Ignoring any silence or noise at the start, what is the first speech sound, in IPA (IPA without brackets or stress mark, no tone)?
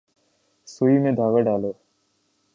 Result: s